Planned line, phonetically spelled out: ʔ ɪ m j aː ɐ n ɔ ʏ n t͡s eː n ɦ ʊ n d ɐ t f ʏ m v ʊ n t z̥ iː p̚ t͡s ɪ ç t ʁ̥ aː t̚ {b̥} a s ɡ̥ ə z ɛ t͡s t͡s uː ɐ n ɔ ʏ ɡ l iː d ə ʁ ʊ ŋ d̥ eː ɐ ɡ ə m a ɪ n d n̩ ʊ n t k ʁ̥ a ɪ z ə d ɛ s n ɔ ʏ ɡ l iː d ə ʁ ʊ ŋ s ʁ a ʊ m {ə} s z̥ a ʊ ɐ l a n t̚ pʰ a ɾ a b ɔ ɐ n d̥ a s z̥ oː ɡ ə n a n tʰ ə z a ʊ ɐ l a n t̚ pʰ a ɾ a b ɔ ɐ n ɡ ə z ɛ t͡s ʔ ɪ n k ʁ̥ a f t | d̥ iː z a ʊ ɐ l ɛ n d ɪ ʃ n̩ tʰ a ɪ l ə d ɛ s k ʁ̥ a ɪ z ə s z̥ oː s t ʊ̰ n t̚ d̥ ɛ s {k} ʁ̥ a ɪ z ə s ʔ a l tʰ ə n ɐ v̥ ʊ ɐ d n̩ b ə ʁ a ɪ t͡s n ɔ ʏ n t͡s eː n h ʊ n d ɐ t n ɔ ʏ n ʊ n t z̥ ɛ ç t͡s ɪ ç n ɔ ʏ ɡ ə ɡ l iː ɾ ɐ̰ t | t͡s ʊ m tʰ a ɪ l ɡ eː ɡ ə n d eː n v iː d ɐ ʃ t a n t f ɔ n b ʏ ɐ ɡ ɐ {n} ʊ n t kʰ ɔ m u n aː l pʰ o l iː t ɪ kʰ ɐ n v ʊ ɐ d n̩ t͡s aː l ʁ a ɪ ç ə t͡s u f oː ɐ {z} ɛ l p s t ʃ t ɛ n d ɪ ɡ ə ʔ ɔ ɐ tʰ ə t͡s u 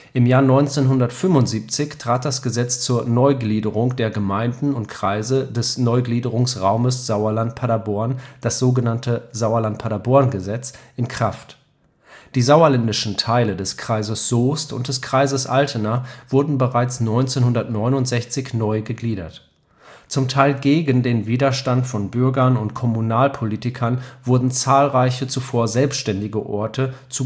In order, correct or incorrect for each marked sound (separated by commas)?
incorrect, correct, correct, correct, correct